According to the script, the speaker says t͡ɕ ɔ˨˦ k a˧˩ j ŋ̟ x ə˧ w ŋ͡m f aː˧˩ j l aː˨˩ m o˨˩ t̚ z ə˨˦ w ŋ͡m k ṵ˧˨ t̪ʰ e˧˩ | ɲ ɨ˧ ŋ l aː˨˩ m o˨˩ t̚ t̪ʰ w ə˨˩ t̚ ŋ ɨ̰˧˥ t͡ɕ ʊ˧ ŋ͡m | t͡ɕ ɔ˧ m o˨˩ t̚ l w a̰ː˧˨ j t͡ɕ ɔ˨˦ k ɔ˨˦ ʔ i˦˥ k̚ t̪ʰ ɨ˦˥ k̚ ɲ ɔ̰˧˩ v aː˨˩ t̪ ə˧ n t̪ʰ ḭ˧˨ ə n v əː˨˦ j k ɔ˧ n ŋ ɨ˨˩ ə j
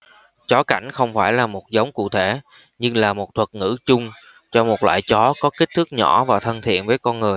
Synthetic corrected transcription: t͡ɕ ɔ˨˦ k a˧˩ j ŋ̟ x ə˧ w ŋ͡m f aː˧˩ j l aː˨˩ m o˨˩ t̚ z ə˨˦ w ŋ͡m k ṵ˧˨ t̪ʰ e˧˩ | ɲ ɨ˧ ŋ l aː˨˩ m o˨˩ t̚ t̪ʰ w ə˨˩ t̚ ŋ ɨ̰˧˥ t͡ɕ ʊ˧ ŋ͡m | t͡ɕ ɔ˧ m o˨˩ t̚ l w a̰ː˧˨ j t͡ɕ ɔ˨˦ k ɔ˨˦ k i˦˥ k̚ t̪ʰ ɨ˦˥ k̚ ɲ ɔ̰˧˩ v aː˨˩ t̪ʰ ə˧ n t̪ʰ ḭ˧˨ ə n v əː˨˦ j k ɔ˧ n ŋ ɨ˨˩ ə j

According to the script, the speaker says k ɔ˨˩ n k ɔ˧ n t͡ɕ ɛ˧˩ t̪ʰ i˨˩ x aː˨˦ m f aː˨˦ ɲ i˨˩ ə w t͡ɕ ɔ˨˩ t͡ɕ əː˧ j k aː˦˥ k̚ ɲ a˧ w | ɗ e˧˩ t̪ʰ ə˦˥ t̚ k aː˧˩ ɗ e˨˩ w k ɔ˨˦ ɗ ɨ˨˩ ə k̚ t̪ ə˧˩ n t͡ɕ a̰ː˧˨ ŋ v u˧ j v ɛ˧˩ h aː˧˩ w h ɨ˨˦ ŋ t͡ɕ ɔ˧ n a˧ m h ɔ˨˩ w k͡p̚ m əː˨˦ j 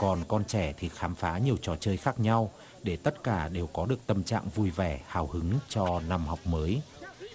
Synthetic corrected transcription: k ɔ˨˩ n k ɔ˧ n t͡ɕ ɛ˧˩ t̪ʰ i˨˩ x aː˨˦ m f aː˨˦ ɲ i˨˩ ə w t͡ɕ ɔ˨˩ t͡ɕ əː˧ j x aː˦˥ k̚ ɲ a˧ w | ɗ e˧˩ t̪ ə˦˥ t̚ k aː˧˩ ɗ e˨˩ w k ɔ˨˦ ɗ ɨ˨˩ ə k̚ t̪ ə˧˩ m t͡ɕ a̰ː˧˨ ŋ v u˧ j v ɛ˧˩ h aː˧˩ w h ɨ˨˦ ŋ t͡ɕ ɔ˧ n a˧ m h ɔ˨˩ w k͡p̚ m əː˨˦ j

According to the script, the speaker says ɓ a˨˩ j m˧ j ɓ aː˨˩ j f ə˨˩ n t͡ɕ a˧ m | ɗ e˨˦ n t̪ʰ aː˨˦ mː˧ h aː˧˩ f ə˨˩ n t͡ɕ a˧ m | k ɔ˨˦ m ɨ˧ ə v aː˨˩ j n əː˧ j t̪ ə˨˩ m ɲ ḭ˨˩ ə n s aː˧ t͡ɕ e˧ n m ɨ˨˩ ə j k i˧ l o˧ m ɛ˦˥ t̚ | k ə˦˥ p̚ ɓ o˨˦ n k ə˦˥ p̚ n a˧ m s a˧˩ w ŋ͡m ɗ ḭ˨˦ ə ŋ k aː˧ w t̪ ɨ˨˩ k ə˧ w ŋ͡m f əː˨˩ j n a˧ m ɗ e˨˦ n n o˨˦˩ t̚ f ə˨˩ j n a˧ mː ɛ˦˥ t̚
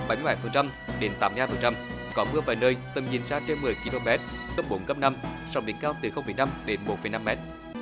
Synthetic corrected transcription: ɓ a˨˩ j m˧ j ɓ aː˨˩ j f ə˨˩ n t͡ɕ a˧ m | ɗ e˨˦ n t̪ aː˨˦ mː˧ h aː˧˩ f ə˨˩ n t͡ɕ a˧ m | k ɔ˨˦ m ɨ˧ ə v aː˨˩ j n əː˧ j t̪ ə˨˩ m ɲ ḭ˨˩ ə n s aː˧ t͡ɕ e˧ n m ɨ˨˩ ə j k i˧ l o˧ m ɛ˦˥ t̚ | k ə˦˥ p̚ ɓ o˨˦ n k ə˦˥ p̚ n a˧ m s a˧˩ w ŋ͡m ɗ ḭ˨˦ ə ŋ k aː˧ w t̪ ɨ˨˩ x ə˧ w ŋ͡m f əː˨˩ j n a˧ m ɗ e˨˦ n m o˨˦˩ t̚ f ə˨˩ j n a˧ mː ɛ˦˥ t̚

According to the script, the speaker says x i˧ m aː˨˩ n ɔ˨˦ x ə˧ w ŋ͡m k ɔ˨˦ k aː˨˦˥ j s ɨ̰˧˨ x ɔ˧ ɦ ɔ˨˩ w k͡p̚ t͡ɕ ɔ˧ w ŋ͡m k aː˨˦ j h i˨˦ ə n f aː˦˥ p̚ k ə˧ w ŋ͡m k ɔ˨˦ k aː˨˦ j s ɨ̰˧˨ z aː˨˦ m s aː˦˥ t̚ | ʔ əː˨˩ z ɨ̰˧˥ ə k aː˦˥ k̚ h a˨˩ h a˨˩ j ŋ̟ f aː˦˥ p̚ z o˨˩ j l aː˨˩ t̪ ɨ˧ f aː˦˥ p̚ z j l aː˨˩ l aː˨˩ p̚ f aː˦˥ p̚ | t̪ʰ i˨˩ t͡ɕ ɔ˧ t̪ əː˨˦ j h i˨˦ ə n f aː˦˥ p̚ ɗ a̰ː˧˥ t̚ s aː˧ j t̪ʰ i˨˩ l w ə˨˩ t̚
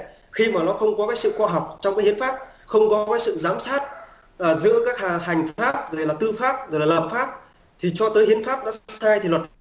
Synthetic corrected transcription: x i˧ m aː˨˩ n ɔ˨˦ x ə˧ w ŋ͡m k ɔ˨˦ k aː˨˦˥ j s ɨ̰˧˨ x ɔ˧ ɦ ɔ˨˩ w k͡p̚ t͡ɕ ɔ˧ w ŋ͡m k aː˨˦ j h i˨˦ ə n f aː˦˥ p̚ x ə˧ w ŋ͡m k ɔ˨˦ k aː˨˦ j s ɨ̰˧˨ z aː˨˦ m s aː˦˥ t̚ | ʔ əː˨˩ z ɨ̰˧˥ ə k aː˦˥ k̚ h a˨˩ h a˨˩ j ŋ̟ f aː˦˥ p̚ z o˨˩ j l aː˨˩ t̪ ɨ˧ f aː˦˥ p̚ z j l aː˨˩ l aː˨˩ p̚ f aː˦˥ p̚ | t̪ʰ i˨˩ t͡ɕ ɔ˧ t̪ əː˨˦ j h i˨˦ ə n f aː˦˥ p̚ ɗ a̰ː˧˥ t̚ s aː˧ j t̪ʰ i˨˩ l w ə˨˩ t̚

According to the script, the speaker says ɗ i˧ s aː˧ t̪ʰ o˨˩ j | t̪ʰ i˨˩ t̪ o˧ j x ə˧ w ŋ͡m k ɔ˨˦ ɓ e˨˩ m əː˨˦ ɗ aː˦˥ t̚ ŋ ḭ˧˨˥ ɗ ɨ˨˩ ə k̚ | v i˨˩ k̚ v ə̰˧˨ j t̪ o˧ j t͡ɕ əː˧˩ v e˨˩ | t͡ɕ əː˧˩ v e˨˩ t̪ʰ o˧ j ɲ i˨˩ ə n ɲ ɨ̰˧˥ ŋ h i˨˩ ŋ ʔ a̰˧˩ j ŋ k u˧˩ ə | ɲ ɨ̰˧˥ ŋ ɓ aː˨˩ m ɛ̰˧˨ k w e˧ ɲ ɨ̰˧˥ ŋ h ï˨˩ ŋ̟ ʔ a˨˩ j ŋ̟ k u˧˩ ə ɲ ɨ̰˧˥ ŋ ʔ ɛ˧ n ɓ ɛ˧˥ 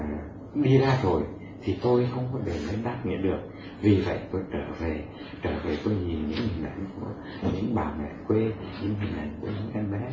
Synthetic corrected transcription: ɗ i˧ z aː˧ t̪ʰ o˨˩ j | t̪ʰ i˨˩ t̪ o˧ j x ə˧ w ŋ͡m k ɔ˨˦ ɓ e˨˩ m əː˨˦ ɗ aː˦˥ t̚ ŋ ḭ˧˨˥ ɗ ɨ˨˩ ə k̚ | v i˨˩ v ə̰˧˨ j t̪ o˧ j t͡ɕ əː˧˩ v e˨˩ | t͡ɕ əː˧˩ v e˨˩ t̪ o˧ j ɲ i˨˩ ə n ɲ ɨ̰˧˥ ŋ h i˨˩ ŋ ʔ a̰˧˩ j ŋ k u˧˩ ə | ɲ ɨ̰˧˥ ŋ ɓ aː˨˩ m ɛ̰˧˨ k w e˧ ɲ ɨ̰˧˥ ŋ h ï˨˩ ŋ̟ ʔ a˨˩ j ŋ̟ k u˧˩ ə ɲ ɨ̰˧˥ ŋ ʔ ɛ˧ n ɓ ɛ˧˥

